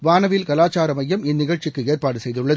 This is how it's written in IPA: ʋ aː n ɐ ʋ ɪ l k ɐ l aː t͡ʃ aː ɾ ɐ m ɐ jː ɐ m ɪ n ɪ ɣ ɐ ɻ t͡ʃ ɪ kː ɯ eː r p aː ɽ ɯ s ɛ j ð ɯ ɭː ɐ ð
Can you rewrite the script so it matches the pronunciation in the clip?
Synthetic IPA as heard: ʋ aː n ɐ ʋ ɪ l k ɐ l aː t͡ʃ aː ɾ ɐ m ɐ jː ɐ m ɪ nː ɪ ɣ ɐ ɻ t͡ʃ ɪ kː ɯ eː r p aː ɽ ɯ s ɛ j ð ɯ ɭː ɐ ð